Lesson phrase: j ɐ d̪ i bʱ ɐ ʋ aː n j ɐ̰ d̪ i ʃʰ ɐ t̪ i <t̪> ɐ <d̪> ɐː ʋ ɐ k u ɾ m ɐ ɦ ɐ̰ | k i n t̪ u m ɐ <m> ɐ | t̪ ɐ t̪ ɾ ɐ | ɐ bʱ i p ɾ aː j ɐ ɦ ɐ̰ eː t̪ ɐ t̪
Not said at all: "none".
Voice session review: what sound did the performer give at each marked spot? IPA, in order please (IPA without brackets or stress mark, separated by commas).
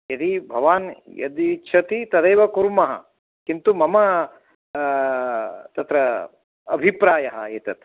t̪, d̪, m